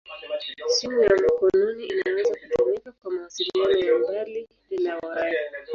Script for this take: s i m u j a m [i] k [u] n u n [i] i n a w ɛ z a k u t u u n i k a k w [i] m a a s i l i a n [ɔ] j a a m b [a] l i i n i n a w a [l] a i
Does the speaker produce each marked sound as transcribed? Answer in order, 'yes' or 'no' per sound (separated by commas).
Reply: no, no, yes, no, yes, yes, no